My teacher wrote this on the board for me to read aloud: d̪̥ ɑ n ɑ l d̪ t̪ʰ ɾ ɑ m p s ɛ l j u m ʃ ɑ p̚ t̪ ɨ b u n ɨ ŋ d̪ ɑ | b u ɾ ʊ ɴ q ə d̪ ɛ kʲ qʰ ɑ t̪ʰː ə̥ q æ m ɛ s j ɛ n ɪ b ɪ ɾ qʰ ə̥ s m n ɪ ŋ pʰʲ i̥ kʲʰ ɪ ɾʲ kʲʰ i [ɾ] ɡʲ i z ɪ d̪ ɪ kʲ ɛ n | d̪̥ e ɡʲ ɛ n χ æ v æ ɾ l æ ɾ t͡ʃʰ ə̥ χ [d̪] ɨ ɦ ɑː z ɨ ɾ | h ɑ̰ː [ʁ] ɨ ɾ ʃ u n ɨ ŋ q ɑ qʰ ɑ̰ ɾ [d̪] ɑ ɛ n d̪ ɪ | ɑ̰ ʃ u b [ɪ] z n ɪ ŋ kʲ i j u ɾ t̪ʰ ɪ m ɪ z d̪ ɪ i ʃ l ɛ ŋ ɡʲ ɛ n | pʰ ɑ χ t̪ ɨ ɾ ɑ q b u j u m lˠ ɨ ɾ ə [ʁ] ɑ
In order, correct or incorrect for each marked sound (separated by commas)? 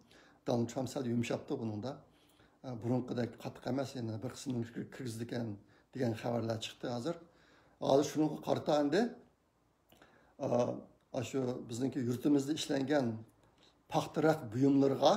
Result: correct, incorrect, incorrect, incorrect, correct, correct